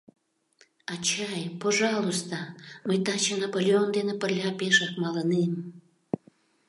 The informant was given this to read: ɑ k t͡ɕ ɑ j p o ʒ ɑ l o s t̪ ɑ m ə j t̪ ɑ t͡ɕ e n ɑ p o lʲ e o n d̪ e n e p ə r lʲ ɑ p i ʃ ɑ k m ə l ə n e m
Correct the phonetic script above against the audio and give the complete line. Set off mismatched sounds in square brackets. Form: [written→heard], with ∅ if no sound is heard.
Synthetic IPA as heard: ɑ [k→∅] t͡ɕ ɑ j p o ʒ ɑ l o s t̪ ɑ m ə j t̪ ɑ t͡ɕ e n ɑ p o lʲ e o n d̪ e n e p ə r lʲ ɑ p [i→e] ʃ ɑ k m [ə→ɑ] l ə n e m

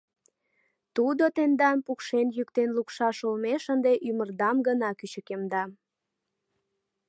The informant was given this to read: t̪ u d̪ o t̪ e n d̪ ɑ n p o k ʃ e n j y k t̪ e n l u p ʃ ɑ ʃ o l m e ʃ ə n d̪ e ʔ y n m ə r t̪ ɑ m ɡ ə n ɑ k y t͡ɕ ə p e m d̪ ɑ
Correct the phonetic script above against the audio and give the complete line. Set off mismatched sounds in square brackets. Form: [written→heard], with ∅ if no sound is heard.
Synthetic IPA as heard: t̪ u d̪ o t̪ e n d̪ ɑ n p [o→u] k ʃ e n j y k t̪ e n l u [p→k] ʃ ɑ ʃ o l m e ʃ ə n d̪ e ʔ y [n→∅] m ə r [t̪→d̪] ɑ m ɡ ə n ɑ k y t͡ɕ ə [p→k] e m d̪ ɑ

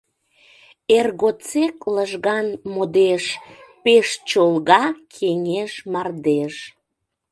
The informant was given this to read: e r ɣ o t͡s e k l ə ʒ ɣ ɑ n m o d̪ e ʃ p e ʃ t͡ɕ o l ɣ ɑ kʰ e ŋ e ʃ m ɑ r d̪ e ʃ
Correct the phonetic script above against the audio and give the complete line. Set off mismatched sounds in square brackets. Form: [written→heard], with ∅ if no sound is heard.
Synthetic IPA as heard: e r ɣ o t͡s e k l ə ʒ ɣ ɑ n m o d̪ e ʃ p e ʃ t͡ɕ o l ɣ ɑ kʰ e ŋ e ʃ m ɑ r d̪ e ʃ

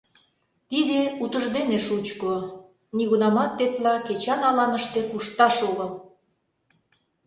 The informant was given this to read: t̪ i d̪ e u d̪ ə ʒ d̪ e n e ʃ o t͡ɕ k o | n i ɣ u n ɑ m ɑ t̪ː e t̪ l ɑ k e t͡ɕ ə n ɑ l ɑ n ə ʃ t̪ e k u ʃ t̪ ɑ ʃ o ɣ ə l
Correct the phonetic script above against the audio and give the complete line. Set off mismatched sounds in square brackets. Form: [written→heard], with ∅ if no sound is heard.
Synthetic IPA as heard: t̪ i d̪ e u [d̪→t̪] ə ʒ d̪ e n e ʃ [o→u] t͡ɕ k o | n i ɣ u n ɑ m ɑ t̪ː e t̪ l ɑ k e t͡ɕ [ə→ɑ] n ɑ l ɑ n ə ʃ t̪ e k u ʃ t̪ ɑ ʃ o ɣ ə l

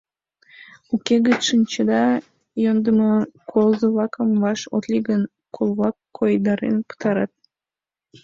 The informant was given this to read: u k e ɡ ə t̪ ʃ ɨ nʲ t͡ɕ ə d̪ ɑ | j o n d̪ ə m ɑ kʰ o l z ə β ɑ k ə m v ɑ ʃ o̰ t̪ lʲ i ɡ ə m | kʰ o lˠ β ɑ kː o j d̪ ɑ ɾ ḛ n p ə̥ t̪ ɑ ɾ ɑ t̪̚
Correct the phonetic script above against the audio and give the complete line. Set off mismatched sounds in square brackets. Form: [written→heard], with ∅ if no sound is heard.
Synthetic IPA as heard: u k e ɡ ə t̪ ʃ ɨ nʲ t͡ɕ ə d̪ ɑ | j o n d̪ ə m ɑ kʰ o l z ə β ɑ k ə m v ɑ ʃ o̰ t̪ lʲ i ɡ ə [m→n] | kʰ o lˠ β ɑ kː o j d̪ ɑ ɾ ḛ n p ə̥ t̪ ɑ ɾ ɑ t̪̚

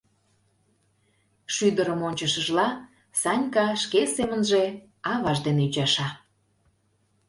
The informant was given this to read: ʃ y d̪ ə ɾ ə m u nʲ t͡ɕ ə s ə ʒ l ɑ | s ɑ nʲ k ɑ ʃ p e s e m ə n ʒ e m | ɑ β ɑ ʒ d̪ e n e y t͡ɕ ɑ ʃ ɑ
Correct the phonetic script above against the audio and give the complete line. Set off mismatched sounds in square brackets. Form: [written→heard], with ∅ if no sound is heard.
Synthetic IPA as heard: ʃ y d̪ ə ɾ ə m [u→o] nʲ t͡ɕ ə [s→ʃ] ə ʒ l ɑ | s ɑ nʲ k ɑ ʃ [p→k] e s e m ə n ʒ e [m→∅] | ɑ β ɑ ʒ d̪ e n e y t͡ɕ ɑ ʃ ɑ

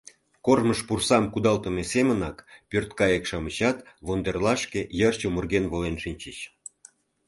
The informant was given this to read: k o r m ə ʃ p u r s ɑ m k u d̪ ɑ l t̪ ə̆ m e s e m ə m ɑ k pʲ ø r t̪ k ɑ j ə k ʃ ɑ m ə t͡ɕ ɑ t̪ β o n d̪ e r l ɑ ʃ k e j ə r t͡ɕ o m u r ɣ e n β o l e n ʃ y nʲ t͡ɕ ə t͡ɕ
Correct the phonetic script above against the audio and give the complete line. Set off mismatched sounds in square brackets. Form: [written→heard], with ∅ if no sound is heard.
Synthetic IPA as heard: k o r m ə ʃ p u r s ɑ m k u d̪ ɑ l t̪ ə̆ m e s e m ə [m→n] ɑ k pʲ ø r t̪ k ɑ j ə k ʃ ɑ m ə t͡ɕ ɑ t̪ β o n d̪ e r l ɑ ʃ k e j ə r t͡ɕ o m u r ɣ e n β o l e n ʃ [y→i] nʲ t͡ɕ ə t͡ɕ

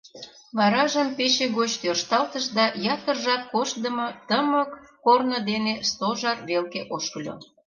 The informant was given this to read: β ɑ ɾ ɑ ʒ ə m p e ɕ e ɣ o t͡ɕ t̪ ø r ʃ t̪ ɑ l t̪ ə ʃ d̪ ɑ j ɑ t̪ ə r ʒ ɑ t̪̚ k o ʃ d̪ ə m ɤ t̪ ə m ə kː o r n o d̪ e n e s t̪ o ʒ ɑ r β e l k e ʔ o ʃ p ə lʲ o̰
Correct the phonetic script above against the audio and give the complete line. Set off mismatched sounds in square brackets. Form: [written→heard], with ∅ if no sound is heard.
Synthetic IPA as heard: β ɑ ɾ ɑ ʒ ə m p e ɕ e ɣ o t͡ɕ t̪ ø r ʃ t̪ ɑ l t̪ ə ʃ d̪ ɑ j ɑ t̪ ə r ʒ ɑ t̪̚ k o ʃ d̪ ə m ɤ t̪ ə m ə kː o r n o d̪ e n e s t̪ o ʒ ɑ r β e l k e ʔ o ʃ [p→k] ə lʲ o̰

